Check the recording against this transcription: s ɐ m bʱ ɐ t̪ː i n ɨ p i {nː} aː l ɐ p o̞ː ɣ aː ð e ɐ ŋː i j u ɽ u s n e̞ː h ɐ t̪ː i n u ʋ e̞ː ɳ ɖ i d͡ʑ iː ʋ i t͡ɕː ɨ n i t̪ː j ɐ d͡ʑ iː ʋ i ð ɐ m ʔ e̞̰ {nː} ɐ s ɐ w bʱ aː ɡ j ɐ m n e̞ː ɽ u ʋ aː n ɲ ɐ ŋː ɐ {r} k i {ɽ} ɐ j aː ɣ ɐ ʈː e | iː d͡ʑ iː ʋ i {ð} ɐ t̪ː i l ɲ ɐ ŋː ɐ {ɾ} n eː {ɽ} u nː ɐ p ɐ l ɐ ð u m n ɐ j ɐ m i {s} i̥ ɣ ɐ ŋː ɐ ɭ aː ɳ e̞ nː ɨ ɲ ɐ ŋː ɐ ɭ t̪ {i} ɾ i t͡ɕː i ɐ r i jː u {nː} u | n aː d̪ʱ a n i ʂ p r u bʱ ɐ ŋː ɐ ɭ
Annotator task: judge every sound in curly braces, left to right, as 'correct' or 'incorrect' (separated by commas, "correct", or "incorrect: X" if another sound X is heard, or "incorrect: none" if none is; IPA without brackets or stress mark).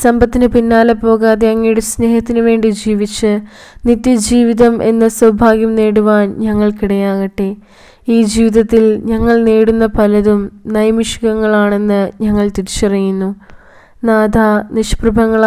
correct, correct, incorrect: ɭ, correct, correct, incorrect: ɭ, correct, incorrect: ʂ, correct, correct